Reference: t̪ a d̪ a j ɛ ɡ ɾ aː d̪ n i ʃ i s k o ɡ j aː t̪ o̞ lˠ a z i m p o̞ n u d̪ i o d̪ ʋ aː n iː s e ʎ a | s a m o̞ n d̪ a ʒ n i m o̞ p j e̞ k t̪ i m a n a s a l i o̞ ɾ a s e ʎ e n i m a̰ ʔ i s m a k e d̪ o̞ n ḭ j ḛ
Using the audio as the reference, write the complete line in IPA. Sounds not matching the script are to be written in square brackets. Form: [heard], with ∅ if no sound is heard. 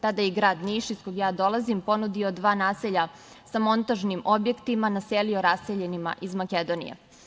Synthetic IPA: t̪ a d̪ a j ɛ ɡ ɾ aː d̪ n i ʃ i s k o ɡ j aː [d̪] o̞ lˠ a z i m p o̞ n u d̪ i o d̪ ʋ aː n [aː] s e ʎ a | s a m o̞ n [t̪] a ʒ n i m o̞ [b] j e̞ k t̪ i m a n a s [e] l i o̞ ɾ a s e ʎ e n i m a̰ ʔ i [z] m a k e d̪ o̞ n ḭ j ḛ